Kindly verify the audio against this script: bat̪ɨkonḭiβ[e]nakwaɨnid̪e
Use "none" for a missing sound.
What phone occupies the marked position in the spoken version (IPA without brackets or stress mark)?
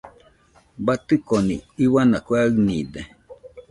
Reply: a